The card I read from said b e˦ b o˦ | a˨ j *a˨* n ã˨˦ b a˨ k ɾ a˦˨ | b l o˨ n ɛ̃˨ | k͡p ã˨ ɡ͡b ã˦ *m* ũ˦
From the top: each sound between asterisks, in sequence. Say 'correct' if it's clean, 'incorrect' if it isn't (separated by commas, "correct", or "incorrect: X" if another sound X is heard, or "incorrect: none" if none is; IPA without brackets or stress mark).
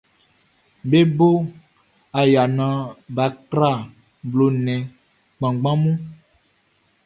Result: correct, correct